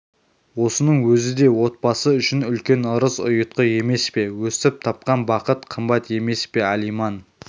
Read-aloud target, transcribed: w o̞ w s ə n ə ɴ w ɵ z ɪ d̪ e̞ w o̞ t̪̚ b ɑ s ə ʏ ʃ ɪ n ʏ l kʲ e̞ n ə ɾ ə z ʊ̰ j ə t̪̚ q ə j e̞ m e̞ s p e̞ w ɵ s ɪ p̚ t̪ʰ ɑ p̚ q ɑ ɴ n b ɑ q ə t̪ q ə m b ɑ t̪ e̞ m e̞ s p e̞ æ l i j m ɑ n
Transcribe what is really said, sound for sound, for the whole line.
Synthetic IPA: w o̞ s ə n ə ɴ w ɵ z ɪ d̪ e̞ w o̞ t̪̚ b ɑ s ə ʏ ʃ ɪ n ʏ l kʲ e̞ n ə ɾ ə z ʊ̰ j ə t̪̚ q ə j e̞ m e̞ s p e̞ w ɵ s ɪ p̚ t̪ʰ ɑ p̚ q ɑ n b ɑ q ə t̪ qʰ ə m b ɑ t̪ e̞ m e̞ s p e̞ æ l i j m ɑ n